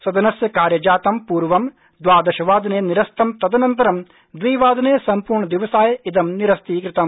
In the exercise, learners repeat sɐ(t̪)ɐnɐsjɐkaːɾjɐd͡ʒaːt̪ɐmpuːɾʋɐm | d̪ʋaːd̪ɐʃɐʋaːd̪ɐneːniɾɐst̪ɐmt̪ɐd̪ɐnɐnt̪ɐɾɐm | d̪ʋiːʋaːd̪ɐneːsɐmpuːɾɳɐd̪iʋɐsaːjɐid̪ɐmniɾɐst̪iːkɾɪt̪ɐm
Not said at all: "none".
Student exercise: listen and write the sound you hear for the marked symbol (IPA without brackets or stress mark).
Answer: d̪